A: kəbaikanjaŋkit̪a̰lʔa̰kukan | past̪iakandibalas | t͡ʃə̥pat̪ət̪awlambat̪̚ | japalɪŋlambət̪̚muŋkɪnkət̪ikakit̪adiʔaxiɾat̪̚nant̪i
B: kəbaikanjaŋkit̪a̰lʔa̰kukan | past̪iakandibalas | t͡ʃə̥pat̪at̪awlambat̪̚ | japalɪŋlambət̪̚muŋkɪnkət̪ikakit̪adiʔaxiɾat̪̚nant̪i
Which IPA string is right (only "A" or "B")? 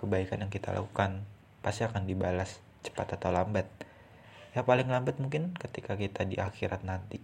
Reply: B